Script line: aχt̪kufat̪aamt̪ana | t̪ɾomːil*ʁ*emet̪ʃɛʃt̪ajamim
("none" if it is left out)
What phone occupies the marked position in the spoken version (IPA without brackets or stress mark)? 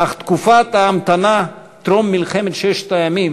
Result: χ